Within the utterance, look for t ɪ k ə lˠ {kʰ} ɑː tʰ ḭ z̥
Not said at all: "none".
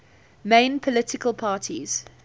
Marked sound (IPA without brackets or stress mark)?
pʰ